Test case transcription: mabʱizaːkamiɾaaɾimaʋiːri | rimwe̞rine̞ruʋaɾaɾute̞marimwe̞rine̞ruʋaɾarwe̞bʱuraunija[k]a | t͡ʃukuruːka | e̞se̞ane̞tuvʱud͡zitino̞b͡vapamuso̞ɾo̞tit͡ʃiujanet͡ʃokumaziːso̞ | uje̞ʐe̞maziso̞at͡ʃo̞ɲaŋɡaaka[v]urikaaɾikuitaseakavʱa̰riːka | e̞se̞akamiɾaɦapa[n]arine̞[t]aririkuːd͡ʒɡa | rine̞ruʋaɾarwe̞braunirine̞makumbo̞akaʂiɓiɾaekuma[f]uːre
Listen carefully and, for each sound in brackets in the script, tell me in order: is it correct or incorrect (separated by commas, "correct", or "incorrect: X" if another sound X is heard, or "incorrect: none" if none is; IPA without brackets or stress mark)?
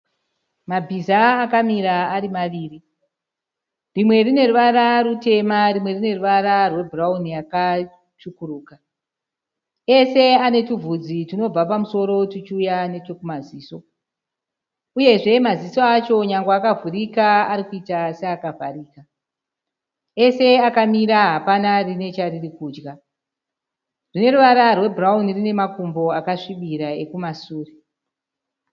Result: correct, correct, correct, incorrect: t͡ʃ, incorrect: s